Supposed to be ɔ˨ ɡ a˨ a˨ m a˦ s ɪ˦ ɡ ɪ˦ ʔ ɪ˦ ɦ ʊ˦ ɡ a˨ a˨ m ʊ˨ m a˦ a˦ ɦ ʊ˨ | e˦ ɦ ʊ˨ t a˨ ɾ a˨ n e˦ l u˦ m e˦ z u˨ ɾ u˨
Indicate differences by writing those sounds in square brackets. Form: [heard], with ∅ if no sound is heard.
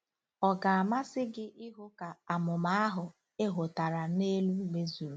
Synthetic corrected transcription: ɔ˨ ɡ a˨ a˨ m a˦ s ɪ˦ ɡ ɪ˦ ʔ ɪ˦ ɦ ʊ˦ [k] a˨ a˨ m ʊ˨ m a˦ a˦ ɦ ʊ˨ | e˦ ɦ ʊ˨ t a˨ ɾ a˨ n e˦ l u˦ m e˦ z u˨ ɾ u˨